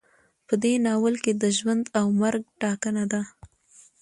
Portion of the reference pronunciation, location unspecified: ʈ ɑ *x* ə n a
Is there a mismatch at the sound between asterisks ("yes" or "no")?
yes